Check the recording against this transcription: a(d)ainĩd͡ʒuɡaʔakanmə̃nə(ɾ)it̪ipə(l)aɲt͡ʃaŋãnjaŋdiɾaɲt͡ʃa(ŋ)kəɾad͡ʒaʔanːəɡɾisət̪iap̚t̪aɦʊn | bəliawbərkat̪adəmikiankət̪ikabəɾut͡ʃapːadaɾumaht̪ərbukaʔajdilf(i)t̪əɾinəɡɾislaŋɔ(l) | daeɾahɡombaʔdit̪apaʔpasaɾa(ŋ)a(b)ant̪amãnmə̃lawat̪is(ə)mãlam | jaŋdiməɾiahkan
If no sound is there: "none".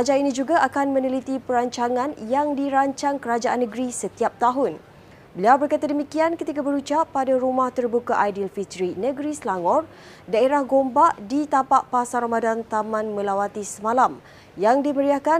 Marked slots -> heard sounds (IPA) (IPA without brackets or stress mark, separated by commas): d͡ʒ, l, ɾ, ŋ, i, r, m, d, ə